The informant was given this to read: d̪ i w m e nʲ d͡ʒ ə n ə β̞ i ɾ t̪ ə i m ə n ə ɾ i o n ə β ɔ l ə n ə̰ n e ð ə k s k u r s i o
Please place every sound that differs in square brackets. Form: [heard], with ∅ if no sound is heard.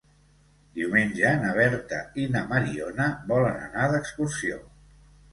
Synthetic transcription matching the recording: d̪ i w m e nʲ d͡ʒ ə n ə β̞ [ɛ] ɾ t̪ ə i [n] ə [m] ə ɾ i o n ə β ɔ l ə n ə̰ n [a] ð ə k s k u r s i o